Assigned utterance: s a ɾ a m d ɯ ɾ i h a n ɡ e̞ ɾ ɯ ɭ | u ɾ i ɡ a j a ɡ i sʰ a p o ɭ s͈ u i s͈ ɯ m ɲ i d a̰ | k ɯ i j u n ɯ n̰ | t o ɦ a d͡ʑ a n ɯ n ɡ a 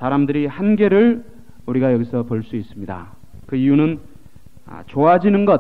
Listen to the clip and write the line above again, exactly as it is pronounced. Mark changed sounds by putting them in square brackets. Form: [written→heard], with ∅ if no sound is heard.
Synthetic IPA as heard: s a ɾ a m d ɯ ɾ i h a n ɡ e̞ ɾ ɯ ɭ | u ɾ i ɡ a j [a→ʌ] ɡ i sʰ [a→ʌ] p o ɭ s͈ u i s͈ ɯ m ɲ i d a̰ | k ɯ i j u n ɯ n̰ | [t→t͡ɕ] o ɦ a d͡ʑ [a→i] n ɯ n ɡ [a→ʌ]

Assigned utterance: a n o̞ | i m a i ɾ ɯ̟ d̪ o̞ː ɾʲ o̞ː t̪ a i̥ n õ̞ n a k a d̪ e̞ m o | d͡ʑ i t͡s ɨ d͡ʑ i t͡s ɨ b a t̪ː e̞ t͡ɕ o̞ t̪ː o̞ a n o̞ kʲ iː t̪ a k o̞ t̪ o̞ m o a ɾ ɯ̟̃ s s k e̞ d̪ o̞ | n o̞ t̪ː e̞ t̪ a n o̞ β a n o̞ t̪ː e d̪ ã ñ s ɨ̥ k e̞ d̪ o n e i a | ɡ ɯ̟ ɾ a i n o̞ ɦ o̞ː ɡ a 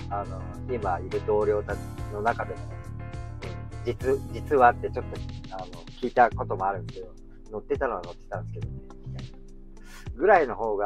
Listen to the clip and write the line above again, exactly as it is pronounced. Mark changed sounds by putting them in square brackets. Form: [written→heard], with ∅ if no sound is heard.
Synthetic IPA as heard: a n o̞ | i m a i ɾ ɯ̟ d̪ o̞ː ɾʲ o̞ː t̪ a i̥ n [õ̞→o̞] n a k a d̪ e̞ m o | d͡ʑ i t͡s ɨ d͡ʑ i t͡s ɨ [b→β] a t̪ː e̞ t͡ɕ o̞ t̪ː o̞ a n o̞ kʲ iː t̪ a k o̞ t̪ o̞ m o a ɾ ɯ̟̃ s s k e̞ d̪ o̞ | n o̞ t̪ː e̞ t̪ a n o̞ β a n o̞ t̪ː e [d̪→t̪] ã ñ s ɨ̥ k e̞ d̪ o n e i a | ɡ ɯ̟ ɾ a i n o̞ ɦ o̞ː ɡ a

